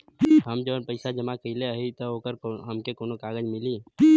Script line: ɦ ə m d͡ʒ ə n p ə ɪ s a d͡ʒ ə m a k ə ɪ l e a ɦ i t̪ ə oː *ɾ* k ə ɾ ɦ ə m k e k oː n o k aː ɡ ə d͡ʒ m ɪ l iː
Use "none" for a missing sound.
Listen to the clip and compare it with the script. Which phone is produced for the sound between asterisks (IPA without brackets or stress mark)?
none